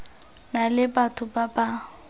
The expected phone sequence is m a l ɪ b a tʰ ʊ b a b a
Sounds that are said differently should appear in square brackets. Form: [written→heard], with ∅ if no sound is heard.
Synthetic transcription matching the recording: [m→n] a l ɪ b a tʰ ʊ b a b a